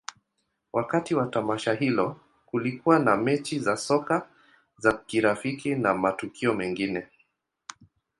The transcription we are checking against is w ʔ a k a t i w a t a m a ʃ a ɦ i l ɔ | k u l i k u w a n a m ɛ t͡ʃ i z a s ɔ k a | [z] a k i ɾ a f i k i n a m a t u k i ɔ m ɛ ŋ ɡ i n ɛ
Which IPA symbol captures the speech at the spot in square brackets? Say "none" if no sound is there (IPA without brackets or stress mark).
z